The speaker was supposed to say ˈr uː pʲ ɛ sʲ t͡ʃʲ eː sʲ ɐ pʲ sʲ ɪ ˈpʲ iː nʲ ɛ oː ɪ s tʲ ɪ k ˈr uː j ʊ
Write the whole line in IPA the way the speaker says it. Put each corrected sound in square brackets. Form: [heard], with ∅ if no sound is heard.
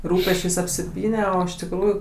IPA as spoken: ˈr uː pʲ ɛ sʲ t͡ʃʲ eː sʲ ɐ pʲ sʲ ɪ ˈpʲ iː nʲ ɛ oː ɪ [ʃ] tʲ ɪ k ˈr uː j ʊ